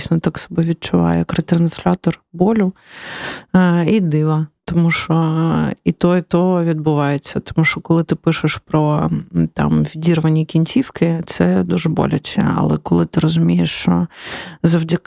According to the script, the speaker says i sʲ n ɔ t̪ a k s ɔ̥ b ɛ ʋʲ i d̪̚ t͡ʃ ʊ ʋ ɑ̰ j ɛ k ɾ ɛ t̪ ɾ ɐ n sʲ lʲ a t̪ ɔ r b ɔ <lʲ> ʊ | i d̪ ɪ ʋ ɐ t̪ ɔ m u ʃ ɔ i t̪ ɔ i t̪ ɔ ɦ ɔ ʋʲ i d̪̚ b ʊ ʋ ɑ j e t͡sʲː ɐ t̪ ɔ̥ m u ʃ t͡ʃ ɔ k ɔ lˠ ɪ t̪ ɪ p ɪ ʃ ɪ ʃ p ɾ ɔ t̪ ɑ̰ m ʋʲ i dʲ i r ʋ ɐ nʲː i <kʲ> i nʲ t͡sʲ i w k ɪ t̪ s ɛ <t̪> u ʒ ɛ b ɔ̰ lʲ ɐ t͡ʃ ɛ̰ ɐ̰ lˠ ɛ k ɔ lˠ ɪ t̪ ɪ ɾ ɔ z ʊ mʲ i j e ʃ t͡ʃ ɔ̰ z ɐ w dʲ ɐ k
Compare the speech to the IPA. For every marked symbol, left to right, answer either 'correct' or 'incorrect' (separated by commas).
correct, correct, incorrect